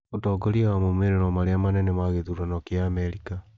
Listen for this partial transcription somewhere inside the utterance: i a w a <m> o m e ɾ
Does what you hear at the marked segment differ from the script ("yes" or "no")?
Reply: no